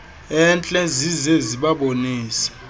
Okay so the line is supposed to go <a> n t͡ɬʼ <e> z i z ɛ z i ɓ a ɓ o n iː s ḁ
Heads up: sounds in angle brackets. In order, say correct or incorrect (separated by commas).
incorrect, incorrect